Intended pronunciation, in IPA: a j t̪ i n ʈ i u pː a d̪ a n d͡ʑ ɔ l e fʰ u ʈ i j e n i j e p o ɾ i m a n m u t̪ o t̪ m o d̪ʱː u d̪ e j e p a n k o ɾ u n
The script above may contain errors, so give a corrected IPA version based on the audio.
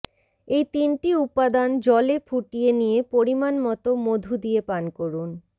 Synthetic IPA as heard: e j t̪ i n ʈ i u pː a d̪ a n d͡ʑ ɔ l e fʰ u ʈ i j e n i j e p o ɾ i m a n m ɔ t̪ o m o d̪ʱ u d̪ i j e p a n k o ɾ u n